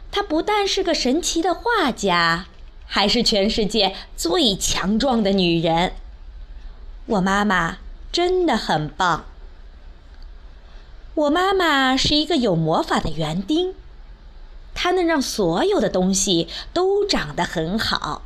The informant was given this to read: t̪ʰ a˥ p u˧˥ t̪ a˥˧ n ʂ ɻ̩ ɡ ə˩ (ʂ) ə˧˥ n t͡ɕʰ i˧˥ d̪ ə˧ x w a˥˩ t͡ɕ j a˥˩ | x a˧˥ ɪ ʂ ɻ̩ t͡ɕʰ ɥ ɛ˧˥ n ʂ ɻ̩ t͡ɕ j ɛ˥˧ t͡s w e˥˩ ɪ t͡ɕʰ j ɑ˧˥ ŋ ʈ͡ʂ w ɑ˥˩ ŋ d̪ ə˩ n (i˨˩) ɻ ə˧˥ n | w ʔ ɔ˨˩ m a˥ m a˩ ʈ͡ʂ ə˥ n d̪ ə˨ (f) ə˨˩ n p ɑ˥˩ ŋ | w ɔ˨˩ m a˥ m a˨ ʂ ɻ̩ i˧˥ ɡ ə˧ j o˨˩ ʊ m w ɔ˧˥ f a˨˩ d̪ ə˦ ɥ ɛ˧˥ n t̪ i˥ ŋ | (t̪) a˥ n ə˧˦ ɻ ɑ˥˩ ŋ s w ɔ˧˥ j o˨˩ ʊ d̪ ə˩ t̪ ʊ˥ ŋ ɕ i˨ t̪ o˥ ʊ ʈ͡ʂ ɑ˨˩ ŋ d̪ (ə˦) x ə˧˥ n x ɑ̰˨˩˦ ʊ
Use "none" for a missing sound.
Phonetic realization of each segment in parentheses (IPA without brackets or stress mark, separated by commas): ʂ, y˨˩, x, t̪ʰ, ə˦